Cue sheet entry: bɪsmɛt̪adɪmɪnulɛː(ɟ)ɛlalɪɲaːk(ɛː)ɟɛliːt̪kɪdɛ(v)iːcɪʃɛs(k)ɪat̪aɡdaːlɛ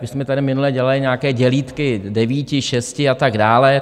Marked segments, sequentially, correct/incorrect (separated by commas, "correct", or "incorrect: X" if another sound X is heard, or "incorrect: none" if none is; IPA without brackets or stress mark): correct, correct, correct, incorrect: c